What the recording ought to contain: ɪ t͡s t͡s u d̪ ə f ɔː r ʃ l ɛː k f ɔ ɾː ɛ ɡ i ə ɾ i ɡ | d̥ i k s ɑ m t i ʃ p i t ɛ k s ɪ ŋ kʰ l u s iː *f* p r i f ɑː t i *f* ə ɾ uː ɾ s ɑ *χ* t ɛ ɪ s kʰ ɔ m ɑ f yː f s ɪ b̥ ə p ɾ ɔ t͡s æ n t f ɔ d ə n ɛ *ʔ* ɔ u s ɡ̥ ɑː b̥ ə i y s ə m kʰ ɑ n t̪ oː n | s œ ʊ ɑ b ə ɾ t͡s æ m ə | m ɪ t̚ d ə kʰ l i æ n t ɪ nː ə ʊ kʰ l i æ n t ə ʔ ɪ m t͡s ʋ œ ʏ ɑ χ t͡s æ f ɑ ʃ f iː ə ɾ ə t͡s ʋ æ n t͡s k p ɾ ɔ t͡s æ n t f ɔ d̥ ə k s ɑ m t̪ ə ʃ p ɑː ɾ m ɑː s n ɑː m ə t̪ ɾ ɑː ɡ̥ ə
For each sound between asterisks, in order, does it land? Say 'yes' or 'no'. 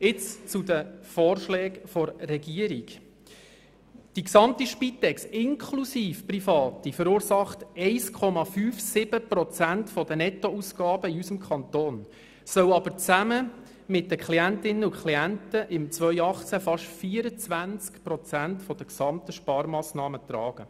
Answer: yes, yes, yes, no

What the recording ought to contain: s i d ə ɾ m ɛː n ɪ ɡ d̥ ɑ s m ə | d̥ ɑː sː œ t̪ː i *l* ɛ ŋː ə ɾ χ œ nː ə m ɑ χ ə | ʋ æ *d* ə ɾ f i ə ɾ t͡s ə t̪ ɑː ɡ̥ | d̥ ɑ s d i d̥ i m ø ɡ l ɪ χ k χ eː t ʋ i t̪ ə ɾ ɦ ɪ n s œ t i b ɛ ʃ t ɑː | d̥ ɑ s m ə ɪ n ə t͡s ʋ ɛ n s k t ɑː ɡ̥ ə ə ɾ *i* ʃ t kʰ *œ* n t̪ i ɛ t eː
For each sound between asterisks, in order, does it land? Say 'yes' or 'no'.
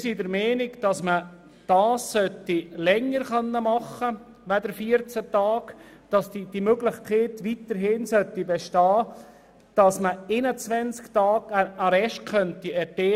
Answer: yes, yes, no, yes

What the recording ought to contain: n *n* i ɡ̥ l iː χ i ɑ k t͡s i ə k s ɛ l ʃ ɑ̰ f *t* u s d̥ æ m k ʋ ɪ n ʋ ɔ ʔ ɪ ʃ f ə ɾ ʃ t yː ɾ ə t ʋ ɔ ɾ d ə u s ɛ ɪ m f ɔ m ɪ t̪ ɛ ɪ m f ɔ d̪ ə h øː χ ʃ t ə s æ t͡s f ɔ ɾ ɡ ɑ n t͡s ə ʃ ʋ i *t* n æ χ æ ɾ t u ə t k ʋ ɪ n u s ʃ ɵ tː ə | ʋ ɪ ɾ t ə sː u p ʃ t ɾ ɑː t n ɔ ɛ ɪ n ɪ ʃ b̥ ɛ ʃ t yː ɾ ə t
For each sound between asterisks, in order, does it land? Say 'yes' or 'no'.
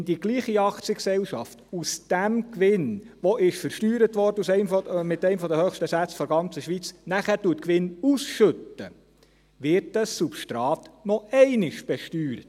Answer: no, yes, no

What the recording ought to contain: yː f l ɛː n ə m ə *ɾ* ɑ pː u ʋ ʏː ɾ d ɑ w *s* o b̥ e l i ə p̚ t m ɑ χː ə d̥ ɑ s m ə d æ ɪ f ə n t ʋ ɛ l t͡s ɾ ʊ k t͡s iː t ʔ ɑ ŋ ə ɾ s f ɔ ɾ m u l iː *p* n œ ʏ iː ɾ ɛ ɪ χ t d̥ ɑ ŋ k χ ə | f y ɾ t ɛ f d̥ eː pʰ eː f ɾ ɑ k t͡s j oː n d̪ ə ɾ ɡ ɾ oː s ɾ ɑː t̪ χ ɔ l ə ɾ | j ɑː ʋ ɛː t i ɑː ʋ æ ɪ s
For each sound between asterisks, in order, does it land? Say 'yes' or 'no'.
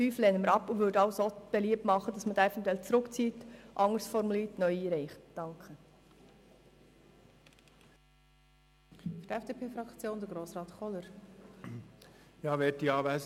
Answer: yes, yes, no

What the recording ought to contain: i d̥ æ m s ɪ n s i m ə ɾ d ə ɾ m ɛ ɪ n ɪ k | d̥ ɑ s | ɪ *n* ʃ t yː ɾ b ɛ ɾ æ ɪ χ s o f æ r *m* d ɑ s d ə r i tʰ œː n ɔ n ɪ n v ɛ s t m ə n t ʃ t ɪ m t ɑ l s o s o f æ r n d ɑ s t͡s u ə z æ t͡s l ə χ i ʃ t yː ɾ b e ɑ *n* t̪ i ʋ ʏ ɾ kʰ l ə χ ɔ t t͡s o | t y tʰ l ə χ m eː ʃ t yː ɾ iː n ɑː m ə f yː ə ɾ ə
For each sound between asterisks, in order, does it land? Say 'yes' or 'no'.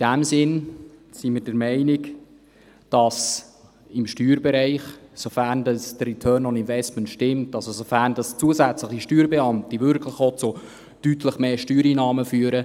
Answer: no, no, no

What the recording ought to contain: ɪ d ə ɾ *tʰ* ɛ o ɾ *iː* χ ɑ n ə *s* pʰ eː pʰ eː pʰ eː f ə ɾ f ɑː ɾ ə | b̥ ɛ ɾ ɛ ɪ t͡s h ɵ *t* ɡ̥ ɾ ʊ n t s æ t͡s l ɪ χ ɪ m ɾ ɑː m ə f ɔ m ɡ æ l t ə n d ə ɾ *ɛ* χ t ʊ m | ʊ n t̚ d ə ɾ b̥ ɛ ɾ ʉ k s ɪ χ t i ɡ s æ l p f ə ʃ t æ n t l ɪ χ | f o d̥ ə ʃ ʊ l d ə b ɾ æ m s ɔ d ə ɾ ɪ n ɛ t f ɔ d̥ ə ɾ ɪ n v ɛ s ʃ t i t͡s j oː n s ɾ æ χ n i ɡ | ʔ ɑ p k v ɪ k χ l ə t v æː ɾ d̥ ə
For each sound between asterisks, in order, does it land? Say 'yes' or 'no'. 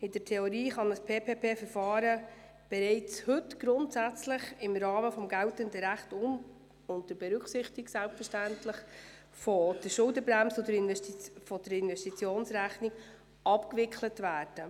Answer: yes, yes, yes, yes, no

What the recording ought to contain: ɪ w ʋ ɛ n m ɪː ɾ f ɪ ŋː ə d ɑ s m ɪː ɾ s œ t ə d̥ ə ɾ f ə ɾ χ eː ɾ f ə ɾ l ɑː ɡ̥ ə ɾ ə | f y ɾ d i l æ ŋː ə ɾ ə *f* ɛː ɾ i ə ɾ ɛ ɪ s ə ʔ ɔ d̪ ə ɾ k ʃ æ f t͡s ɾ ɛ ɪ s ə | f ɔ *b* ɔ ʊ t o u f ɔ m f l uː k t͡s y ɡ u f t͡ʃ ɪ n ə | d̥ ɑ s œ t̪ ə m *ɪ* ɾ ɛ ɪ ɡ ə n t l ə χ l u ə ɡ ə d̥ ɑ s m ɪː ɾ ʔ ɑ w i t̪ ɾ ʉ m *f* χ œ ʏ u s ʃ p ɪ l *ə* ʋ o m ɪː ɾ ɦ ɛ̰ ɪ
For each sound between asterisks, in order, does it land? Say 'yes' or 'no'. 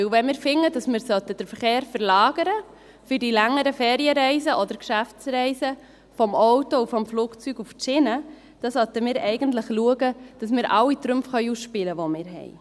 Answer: yes, no, no, yes, yes

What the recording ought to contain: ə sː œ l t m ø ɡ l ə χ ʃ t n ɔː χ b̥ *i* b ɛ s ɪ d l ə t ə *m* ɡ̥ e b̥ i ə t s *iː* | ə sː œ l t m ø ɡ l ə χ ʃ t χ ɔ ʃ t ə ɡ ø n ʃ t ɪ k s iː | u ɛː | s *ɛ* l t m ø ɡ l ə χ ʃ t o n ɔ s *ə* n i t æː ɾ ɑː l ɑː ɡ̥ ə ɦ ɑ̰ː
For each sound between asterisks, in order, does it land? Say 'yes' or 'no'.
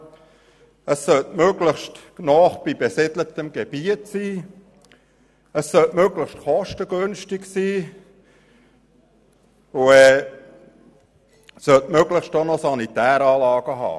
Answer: yes, yes, yes, no, no

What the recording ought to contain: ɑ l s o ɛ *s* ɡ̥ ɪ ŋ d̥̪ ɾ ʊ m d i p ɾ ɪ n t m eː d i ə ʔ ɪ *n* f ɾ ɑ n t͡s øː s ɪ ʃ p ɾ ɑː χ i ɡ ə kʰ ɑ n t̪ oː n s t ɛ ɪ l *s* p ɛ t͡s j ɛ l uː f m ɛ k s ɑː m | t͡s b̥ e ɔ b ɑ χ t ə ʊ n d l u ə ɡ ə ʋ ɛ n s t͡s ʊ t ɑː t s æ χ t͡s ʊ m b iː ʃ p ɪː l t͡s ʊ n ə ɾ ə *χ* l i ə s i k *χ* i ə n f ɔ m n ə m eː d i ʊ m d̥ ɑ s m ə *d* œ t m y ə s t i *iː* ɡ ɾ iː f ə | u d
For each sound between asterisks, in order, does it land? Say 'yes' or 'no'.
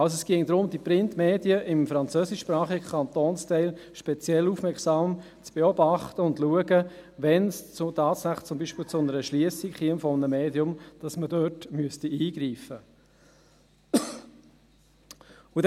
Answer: yes, no, no, no, yes, yes, yes

